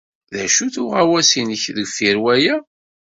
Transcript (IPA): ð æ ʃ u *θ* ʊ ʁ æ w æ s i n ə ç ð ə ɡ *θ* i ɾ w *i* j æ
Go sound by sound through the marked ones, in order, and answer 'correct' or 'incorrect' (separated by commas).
correct, incorrect, incorrect